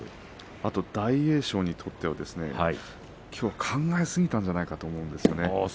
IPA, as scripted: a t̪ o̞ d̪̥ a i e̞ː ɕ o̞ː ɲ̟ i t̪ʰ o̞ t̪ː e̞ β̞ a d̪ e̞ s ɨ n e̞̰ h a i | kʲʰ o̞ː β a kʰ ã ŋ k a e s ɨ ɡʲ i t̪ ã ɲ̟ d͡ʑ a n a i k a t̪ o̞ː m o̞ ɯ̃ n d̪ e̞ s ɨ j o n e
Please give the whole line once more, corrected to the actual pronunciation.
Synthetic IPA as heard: a t̪ o̞ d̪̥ a i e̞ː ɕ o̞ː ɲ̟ i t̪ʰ o̞ t̪ː e̞ β̞ a d̪ e̞ s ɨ n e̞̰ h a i | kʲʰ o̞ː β a kʰ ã ŋ ɡ a e s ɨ ɡʲ i t̪ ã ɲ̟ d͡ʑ a n a i k a t̪ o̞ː m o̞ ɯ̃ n d̪ e̞ s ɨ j o n e